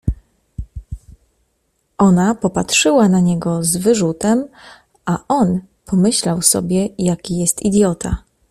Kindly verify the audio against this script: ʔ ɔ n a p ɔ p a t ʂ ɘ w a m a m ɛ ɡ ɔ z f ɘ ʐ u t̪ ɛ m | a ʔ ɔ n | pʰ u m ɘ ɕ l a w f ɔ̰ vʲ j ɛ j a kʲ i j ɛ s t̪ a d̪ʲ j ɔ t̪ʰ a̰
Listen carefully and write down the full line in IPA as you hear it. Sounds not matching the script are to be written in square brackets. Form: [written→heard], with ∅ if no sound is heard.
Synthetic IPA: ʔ ɔ n a p ɔ p a t ʂ ɘ w a [m→n] a [m→ɲ] ɛ ɡ ɔ z [f→v] ɘ ʐ u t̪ ɛ m | a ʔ ɔ n | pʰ [u→ɔ] m ɘ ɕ l a w [f→s] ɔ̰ [vʲ→bʲ] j ɛ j a kʲ i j ɛ s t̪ [a→i] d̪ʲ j ɔ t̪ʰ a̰